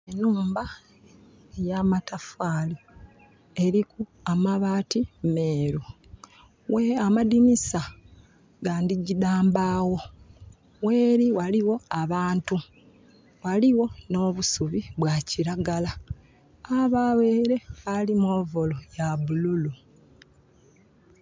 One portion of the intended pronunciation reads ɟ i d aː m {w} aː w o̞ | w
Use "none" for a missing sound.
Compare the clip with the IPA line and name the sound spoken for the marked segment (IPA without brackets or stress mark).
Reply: b